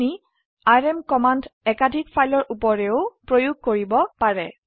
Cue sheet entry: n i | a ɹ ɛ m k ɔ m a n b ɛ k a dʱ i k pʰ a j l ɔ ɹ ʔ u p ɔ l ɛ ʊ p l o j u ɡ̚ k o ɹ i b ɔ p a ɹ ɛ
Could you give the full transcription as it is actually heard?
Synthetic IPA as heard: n i | a ɹ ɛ m k ɔ m a n d ɛ k a dʱ i k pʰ a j l ɔ ɹ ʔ u p ɔ ɹ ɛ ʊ p ɹ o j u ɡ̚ k o ɹ i b ɔ p a ɹ ɛ